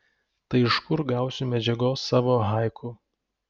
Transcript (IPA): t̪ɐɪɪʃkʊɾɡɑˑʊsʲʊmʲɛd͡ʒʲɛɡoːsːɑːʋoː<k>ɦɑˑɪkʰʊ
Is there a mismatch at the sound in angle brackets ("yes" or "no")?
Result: yes